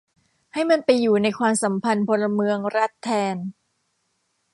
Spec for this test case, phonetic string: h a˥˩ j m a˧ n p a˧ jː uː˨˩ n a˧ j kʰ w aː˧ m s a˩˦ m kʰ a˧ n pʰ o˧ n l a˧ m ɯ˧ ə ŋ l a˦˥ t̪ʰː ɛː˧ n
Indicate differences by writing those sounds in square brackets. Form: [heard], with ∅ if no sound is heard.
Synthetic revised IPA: h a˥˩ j m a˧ n p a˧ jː uː˨˩ n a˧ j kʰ w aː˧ m s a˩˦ m [pʰ] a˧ n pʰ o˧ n l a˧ m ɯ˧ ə ŋ [ɾ] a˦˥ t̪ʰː ɛː˧ n